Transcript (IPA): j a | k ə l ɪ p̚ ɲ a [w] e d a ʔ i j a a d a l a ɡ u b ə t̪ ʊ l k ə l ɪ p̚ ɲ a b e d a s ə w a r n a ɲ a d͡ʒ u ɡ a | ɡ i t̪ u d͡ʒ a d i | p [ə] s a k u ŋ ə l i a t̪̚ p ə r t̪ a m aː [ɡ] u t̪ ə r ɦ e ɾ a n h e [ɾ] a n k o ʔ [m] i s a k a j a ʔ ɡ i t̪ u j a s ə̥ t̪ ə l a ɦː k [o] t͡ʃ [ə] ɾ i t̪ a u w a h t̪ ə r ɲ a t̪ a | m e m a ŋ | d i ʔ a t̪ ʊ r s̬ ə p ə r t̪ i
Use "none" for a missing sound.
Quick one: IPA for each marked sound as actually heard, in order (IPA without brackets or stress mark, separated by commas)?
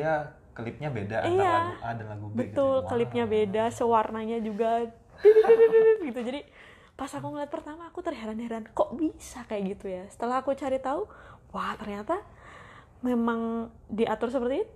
b, a, k, ɾ, b, u, a